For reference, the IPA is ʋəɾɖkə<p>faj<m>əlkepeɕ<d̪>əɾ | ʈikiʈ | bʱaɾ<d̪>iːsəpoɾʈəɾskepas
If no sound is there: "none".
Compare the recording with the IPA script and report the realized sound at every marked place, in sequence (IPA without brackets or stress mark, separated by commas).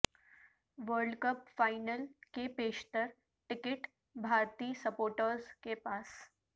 p, n, t̪, t̪